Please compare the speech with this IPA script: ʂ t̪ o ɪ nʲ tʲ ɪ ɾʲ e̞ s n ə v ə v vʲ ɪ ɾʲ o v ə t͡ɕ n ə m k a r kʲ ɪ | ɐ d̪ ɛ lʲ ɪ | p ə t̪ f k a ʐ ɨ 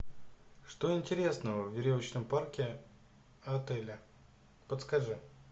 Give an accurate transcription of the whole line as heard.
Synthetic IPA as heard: ʂ t̪ o ɪ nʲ tʲ ɪ ɾʲ e̞ s n ə v ə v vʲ ɪ ɾʲ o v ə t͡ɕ n ə m p a r kʲ ɪ | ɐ t̪ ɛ lʲ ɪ | p ə t̪ s k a ʐ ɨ